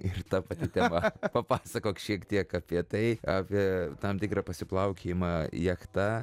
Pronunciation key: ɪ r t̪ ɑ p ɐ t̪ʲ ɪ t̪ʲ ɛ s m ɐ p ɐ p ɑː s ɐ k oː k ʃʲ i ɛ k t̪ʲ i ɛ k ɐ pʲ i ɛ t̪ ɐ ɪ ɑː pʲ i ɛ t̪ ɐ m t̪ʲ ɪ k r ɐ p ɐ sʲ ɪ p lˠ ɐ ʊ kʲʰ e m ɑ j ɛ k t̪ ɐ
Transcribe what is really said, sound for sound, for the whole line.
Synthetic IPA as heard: ɪ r t̪ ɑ p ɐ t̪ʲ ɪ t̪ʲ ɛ m ɐ p ɐ p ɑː s ɐ k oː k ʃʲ i ɛ k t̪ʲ i ɛ k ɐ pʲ i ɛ t̪ ɐ ɪ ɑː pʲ i ɛ t̪ ɐ m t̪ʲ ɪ k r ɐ p ɐ sʲ ɪ p lˠ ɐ ʊ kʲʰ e m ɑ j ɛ k t̪ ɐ